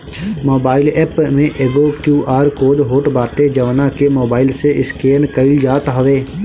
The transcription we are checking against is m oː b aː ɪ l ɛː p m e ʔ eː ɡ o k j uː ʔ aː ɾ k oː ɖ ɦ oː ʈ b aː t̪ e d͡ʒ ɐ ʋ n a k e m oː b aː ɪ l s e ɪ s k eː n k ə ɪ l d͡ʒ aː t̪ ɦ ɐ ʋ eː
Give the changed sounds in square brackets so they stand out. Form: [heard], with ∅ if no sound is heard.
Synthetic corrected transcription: m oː b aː ɪ l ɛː p m [ẽ] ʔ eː ɡ o k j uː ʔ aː ɾ k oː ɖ ɦ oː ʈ b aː t̪ e d͡ʒ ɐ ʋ n a k e m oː b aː ɪ l s e ɪ s k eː n k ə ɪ l d͡ʒ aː t̪ ɦ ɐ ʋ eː

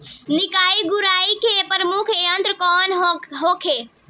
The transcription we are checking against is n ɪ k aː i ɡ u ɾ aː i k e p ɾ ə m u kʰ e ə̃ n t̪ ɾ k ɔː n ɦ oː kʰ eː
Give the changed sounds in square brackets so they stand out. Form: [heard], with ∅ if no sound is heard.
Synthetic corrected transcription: n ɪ k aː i ɡ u ɾ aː i k e p ɾ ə m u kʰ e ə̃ n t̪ ɾ k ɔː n ɦ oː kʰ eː

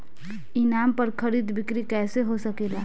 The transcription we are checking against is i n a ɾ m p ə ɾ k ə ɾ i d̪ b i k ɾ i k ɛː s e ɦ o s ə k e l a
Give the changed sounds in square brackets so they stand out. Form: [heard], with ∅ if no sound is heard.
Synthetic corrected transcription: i n a [∅] m p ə ɾ [kʰ] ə ɾ i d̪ b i k ɾ i k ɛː s e ɦ o s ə k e l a

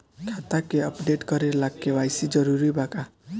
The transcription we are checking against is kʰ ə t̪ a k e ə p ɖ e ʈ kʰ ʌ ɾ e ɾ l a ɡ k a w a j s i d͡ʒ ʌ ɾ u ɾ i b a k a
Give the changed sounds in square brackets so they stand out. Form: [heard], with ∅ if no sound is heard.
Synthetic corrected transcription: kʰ [a] t̪ a k e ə p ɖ e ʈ [k] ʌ ɾ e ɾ l a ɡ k [e] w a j s i d͡ʒ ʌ ɾ u ɾ i b a k a

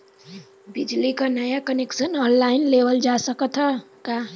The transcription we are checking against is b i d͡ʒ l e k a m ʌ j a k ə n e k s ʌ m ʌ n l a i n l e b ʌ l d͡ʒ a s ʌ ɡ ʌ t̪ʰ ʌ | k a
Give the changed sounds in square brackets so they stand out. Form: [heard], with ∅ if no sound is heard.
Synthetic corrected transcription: b i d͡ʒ l [i] k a [n] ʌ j a k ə n e k s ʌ [n] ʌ n l a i n l e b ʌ l d͡ʒ a s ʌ [k] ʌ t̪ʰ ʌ | k a

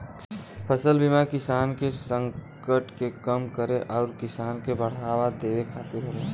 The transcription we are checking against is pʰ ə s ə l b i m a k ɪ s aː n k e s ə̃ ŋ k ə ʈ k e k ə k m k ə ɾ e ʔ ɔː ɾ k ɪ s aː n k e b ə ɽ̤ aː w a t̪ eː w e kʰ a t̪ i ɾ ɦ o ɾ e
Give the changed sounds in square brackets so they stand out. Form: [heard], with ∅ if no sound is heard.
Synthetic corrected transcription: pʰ ə s ə l b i m a k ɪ s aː n k e s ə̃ ŋ k ə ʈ k e k ə [∅] m k ə ɾ e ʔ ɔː ɾ k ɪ s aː n k e b ə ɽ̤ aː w a [d̪] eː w e kʰ a t̪ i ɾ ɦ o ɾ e

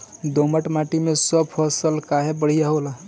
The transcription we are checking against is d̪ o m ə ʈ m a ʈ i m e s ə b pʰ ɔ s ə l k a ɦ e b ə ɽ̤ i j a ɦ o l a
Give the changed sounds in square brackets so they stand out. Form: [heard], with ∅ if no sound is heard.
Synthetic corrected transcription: d̪ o m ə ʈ m a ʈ i m e s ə b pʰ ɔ s ə l k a ɦ e b ə ɽ̤ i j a ɦ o l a

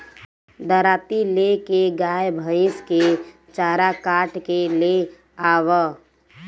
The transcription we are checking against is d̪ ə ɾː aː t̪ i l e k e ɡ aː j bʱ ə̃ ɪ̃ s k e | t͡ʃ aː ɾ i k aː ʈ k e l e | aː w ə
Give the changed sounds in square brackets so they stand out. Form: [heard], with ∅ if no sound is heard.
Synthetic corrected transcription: d̪ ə [ɾ] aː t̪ i l e k e ɡ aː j bʱ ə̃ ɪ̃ s k e | t͡ʃ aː ɾ [a] k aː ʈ k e l e | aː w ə

